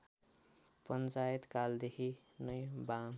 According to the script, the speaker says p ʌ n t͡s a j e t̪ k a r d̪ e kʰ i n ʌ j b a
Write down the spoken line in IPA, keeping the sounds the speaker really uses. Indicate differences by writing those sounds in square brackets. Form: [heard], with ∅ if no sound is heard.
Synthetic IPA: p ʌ n t͡s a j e t̪ k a [l] d̪ e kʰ i n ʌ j b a